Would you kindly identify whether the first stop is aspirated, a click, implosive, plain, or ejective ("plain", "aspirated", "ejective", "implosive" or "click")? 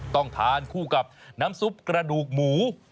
plain